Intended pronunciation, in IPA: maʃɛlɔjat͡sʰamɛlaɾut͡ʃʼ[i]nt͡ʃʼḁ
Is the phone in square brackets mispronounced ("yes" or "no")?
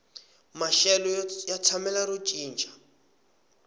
yes